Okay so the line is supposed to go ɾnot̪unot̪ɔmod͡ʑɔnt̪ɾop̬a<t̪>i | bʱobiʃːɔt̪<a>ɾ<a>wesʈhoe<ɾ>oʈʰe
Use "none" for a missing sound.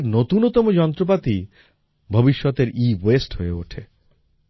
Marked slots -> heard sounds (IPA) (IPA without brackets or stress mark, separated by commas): t̪, e, i, none